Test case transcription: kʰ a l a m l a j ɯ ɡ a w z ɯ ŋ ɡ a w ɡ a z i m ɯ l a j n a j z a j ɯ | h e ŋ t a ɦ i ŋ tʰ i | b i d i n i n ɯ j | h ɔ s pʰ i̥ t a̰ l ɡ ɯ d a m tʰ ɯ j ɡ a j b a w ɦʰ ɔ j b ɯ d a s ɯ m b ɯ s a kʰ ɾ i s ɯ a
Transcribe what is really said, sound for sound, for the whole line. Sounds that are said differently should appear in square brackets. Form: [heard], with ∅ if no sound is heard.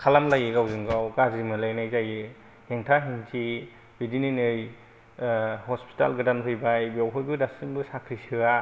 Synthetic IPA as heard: kʰ a l a m l a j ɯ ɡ a w z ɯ ŋ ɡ a w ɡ a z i m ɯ l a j n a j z a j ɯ | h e ŋ [tʰ] a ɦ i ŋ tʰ i | b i d i n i n ɯ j | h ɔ s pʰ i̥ t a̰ l ɡ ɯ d a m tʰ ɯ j [b] a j b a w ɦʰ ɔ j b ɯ d a s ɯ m b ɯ s a kʰ ɾ i s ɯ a